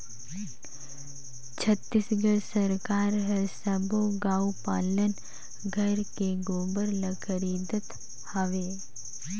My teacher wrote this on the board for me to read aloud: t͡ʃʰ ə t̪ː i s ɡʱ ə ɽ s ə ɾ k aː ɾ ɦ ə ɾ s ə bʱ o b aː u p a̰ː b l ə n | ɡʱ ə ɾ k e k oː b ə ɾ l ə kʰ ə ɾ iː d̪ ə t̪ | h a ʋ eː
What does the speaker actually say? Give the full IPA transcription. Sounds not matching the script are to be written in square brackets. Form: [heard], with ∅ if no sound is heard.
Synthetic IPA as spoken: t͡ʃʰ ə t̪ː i s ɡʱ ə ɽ s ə ɾ k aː ɾ ɦ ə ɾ s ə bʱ o [ɡ] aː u p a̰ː [∅] l ə n | ɡʱ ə ɾ k e [ɡ] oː b ə ɾ l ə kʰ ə ɾ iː d̪ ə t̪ | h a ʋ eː

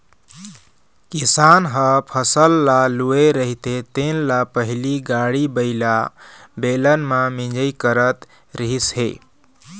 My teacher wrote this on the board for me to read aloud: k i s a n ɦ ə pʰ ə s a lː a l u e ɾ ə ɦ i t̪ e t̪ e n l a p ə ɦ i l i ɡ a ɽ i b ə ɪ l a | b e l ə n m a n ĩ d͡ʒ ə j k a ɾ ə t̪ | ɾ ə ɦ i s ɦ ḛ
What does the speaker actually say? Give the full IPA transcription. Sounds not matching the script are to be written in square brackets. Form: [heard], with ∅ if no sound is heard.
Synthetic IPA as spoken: k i s a n ɦ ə pʰ ə s [ə] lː a l u e ɾ ə ɦ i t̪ e t̪ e n l a p ə ɦ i l i ɡ a ɽ i b ə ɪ l a | b e l ə n m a [m] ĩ d͡ʒ ə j k [ə] ɾ ə t̪ | ɾ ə ɦ i s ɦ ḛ

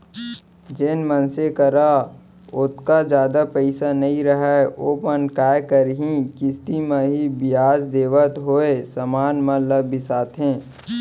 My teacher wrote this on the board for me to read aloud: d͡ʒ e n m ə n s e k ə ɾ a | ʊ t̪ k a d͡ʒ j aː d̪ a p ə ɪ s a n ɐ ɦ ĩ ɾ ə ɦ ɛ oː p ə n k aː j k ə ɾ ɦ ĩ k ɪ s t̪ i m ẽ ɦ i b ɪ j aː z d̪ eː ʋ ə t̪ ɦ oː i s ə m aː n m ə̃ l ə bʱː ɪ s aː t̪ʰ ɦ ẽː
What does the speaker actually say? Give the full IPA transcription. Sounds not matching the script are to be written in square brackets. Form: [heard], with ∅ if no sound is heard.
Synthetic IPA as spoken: d͡ʒ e n m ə n s e k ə ɾ a | ʊ t̪ k a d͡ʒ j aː d̪ a p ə ɪ s a n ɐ ɦ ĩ ɾ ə ɦ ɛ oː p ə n k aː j k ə ɾ ɦ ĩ k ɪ s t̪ i m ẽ ɦ i b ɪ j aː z d̪ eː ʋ ə t̪ ɦ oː [e] s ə m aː n m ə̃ l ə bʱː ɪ s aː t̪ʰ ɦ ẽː

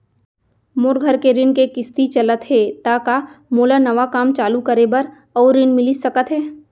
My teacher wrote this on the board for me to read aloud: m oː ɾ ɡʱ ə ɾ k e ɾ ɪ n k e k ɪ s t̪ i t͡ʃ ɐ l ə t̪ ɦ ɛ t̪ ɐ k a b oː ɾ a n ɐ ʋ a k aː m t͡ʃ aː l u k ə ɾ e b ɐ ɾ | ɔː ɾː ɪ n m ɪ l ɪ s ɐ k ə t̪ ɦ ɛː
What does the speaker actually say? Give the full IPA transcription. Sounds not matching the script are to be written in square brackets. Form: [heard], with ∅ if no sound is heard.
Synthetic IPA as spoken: m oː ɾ ɡʱ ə ɾ k e ɾ ɪ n k e k ɪ s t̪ i t͡ʃ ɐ l ə t̪ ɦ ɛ t̪ [a] k a [m] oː [l] a n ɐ ʋ a k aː m t͡ʃ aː l u k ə ɾ e b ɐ ɾ | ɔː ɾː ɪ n m ɪ l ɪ s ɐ k ə t̪ ɦ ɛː

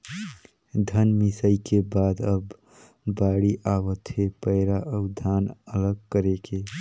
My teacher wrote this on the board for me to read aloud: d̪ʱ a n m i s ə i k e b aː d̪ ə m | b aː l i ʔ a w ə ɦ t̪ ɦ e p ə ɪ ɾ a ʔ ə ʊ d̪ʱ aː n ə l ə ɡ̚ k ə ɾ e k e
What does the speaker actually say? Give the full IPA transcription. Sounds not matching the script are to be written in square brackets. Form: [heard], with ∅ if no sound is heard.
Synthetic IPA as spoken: d̪ʱ [ə] n m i s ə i k e b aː d̪ ə [b] | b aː [ɽ] i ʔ a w ə [∅] t̪ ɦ e p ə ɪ ɾ a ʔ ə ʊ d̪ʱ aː n ə l ə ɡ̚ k ə ɾ e k e

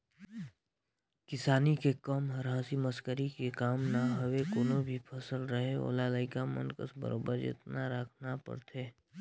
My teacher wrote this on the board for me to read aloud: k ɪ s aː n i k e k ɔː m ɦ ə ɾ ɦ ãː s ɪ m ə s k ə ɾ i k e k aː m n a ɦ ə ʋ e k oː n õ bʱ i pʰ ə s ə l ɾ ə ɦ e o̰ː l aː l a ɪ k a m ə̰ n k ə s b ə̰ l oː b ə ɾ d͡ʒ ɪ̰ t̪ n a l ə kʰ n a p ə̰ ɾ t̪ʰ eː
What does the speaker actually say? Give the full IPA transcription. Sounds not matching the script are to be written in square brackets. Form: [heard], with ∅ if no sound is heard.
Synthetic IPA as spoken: k ɪ s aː n i k e k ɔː m ɦ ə ɾ ɦ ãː s [i] m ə s k ə ɾ i k e k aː m n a ɦ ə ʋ e k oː n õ bʱ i pʰ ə s ə l ɾ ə ɦ e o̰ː l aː l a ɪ k a m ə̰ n k ə s b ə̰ [ɾ] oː b ə ɾ d͡ʒ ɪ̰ t̪ n a [ɾ] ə kʰ n a p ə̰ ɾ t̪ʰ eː

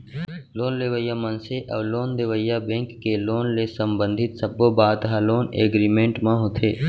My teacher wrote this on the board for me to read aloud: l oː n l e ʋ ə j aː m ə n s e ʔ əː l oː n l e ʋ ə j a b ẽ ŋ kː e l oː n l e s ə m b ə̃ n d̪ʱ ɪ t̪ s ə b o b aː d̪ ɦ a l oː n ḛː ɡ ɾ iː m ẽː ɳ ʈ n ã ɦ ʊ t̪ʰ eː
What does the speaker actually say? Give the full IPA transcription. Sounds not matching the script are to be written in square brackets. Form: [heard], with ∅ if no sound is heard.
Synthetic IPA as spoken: l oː n l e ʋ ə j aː m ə n s e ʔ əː l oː n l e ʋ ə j a b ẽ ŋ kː e l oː n l e s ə m b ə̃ n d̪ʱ ɪ t̪ s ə b o b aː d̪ ɦ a l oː n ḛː ɡ ɾ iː m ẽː ɳ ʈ [m] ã ɦ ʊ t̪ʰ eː

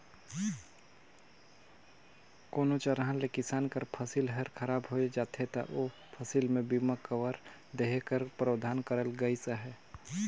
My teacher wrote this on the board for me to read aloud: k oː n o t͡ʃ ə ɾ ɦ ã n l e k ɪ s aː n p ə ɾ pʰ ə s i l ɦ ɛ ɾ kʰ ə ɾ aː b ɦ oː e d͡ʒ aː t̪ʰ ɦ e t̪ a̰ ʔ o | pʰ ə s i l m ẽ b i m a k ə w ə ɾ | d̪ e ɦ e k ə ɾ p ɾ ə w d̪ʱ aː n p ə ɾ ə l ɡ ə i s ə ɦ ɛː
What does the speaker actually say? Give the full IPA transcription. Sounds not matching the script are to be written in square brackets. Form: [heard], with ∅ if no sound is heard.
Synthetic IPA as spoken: k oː n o t͡ʃ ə ɾ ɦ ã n l e k ɪ s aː n [k] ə ɾ pʰ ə s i l ɦ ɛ ɾ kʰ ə ɾ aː b ɦ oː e d͡ʒ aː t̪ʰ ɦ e t̪ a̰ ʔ o | pʰ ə s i l m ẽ b i m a k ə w ə ɾ | d̪ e ɦ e k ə ɾ p ɾ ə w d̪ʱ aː n [k] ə ɾ ə l ɡ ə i s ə ɦ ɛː

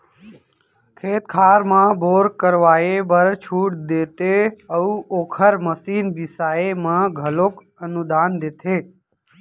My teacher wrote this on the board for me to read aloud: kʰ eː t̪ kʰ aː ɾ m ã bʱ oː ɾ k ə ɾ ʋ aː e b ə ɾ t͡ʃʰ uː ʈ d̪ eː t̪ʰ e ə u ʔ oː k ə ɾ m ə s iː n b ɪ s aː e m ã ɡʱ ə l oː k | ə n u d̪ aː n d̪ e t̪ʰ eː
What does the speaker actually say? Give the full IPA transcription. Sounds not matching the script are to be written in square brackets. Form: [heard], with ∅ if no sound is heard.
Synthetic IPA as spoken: kʰ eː t̪ kʰ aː ɾ m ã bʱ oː ɾ k ə ɾ ʋ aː e b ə ɾ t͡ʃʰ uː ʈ d̪ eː [t̪] e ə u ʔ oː [kʰ] ə ɾ m ə s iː n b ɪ s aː e m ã ɡʱ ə l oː k | ə n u d̪ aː n d̪ e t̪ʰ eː

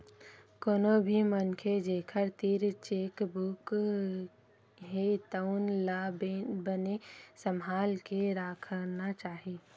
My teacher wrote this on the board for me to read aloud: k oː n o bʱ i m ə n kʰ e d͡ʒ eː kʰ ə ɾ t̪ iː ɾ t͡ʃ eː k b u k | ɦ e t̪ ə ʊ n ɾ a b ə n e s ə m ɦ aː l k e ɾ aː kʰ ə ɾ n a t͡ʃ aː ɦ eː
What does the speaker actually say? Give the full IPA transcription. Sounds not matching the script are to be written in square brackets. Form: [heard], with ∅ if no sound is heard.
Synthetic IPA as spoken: k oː n o bʱ i m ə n kʰ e d͡ʒ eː kʰ ə ɾ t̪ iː ɾ t͡ʃ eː k b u k | ɦ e t̪ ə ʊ n [l] a b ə n e s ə m ɦ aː l k e ɾ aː kʰ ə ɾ n a t͡ʃ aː ɦ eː

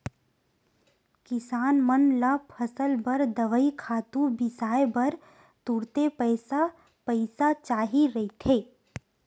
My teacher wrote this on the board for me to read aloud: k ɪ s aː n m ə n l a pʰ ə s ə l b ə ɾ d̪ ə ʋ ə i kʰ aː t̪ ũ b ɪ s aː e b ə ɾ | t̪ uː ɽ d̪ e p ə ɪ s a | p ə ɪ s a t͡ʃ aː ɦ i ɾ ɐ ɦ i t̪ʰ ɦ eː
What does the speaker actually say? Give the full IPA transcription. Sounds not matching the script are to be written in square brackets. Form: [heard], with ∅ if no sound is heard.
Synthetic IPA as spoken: k ɪ s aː n m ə n l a pʰ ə s ə l b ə ɾ d̪ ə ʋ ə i kʰ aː t̪ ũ b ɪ s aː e b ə ɾ | t̪ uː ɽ [t̪] e p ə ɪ s a | p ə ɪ s a t͡ʃ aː ɦ i ɾ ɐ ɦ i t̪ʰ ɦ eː

